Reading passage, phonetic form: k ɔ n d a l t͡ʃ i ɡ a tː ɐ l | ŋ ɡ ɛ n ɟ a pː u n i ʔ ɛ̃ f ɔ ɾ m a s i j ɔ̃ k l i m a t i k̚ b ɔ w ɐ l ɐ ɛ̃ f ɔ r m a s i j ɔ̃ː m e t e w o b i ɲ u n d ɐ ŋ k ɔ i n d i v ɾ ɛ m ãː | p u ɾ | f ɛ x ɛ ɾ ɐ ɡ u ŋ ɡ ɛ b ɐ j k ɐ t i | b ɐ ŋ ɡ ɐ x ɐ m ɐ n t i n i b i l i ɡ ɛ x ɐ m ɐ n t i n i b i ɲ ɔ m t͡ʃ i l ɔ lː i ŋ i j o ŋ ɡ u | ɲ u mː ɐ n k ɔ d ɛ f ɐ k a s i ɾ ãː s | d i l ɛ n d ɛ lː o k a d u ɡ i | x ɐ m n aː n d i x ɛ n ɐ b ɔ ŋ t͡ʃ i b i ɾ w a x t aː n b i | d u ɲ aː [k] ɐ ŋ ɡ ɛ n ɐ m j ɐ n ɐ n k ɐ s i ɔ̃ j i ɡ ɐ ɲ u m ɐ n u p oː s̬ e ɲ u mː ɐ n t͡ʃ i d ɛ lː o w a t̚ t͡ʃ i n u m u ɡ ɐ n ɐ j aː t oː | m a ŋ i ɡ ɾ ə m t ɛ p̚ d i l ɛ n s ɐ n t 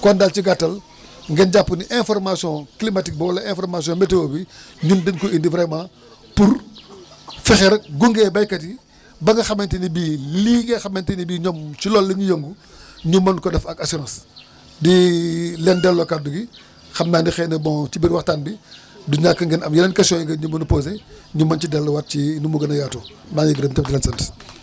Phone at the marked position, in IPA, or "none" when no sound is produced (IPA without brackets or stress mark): k